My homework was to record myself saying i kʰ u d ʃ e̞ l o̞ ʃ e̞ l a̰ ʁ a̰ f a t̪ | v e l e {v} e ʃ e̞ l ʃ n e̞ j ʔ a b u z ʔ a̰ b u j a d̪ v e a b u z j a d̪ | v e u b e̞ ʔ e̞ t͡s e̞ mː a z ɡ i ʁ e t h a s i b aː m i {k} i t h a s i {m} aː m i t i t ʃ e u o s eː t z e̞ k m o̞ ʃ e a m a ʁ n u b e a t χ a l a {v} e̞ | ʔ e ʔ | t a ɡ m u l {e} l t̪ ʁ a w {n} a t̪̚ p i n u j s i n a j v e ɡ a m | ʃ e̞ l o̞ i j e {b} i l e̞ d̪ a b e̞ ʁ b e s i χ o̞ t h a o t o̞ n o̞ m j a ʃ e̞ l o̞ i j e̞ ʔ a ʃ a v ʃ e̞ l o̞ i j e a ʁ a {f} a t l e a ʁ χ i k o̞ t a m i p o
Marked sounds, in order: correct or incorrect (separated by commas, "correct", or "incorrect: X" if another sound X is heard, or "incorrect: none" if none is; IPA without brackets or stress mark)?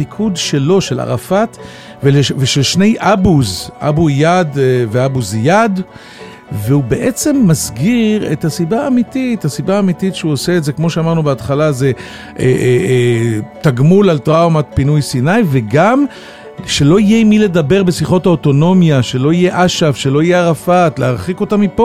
correct, incorrect: t, incorrect: b, incorrect: z, incorrect: a, incorrect: m, incorrect: m, correct